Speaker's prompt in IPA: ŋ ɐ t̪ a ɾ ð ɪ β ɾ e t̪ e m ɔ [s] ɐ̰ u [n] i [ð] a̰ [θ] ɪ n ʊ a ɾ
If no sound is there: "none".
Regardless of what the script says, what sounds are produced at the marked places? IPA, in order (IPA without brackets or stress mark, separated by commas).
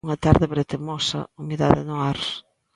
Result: s, m, ð, ð